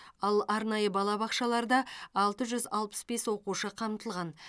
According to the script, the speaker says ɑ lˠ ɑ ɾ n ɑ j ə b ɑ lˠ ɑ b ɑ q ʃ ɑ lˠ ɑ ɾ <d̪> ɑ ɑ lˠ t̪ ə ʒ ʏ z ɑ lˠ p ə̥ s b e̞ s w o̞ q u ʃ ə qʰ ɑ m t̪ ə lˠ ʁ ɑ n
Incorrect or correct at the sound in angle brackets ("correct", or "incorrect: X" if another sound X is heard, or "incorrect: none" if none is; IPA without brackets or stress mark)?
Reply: correct